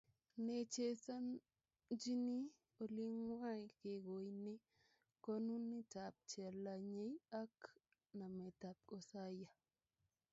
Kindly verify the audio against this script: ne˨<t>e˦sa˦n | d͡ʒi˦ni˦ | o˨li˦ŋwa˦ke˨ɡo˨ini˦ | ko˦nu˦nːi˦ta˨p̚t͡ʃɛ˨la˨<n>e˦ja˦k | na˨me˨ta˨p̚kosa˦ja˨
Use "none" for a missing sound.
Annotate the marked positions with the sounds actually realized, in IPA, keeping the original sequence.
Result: t͡ʃ, ɲ

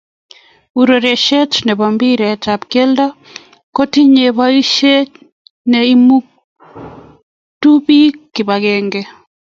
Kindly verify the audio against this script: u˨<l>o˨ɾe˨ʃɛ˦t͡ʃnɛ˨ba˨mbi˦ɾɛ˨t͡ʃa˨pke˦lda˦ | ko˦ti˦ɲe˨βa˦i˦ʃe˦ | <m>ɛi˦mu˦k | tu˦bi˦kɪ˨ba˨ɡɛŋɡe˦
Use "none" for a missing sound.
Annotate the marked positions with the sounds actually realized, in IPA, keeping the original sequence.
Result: ɾ, n

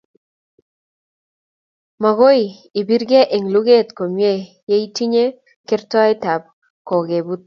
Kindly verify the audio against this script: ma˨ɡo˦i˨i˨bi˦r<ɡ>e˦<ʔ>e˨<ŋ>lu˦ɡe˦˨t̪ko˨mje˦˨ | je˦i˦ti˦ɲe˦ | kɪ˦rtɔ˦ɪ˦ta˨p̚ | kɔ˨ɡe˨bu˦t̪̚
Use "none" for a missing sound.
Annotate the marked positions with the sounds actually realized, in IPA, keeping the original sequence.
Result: ɡ, ʔ, ŋ

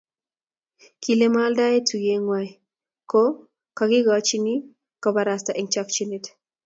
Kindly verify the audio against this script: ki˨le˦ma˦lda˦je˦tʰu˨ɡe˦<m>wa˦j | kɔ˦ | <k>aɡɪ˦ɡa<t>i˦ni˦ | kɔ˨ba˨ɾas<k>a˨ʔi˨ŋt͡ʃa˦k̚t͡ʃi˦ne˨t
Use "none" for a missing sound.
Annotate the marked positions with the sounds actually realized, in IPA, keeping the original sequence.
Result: ŋ, k, t͡ʃ, t

